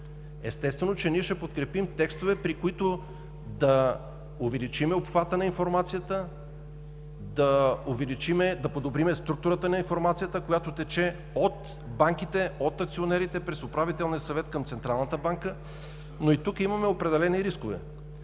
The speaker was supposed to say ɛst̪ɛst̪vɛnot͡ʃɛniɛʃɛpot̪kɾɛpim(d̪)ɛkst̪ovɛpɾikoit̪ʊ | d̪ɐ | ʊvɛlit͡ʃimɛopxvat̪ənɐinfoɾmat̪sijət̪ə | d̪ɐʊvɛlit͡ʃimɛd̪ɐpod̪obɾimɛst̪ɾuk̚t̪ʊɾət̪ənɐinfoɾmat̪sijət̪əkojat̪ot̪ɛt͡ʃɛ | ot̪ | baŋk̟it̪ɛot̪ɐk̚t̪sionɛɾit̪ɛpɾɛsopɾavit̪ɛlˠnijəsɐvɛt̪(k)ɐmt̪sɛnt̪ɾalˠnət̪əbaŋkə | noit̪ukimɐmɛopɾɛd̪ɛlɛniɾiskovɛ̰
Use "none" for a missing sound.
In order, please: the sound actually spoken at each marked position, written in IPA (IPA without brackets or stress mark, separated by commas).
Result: t̪, k